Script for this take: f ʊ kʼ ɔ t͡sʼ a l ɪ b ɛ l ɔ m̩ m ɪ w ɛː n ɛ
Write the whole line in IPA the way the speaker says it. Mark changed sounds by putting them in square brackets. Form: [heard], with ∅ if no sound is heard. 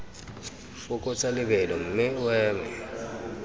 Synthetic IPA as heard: f ʊ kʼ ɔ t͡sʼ a l ɪ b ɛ l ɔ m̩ m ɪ w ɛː [m] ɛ